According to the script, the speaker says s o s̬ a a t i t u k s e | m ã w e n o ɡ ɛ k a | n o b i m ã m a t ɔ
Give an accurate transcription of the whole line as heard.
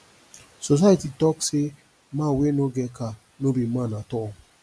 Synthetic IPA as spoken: s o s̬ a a t i t ɔ k s e | m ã w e n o ɡ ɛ k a | n o b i m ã n a t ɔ